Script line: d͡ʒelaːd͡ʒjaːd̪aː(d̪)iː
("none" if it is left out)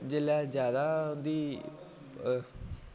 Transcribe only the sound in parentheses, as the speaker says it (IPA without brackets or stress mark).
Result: d̪